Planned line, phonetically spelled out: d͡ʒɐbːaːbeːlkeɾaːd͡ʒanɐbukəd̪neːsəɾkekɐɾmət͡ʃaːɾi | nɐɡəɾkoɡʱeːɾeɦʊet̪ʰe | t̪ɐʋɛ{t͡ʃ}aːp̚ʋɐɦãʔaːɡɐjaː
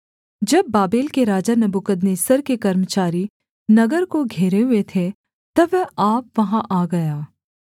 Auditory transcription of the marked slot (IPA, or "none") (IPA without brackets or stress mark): none